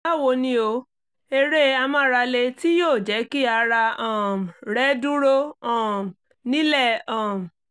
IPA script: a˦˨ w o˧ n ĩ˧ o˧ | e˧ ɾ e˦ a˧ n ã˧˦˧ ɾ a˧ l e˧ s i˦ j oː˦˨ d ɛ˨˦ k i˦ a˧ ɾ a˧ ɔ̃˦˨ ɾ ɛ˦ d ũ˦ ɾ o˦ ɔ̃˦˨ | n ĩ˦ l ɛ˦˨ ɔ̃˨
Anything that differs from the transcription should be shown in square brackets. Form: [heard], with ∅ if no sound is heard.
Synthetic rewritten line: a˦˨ w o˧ n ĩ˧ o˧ | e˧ ɾ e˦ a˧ [m] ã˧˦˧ ɾ a˧ l e˧ [t] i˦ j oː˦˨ [d͡ʒ] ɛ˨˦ k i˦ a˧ ɾ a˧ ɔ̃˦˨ ɾ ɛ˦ d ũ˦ ɾ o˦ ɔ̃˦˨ | n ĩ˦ l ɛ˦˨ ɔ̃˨